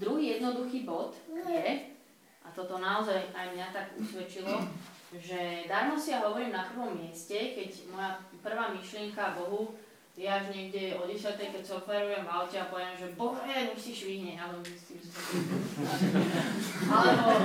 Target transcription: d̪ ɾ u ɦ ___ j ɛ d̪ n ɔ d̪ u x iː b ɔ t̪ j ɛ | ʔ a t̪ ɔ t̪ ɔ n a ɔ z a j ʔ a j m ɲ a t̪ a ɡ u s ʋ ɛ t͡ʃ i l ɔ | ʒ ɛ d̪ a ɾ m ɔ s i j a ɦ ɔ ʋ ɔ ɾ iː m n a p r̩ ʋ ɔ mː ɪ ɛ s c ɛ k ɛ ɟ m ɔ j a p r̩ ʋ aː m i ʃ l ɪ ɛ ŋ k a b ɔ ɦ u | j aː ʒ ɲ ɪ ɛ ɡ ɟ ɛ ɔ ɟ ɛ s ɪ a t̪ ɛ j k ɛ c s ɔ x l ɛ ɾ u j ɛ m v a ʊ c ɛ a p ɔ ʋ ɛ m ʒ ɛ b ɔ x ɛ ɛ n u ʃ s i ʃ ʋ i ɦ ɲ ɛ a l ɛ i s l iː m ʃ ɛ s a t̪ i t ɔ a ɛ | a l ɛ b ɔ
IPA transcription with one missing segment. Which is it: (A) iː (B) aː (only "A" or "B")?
A